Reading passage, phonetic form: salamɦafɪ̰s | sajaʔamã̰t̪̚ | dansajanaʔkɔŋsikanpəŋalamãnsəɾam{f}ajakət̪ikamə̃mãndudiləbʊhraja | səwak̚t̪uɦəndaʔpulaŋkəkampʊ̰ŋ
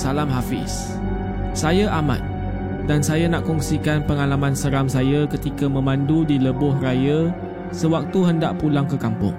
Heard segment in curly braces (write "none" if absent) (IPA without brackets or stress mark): s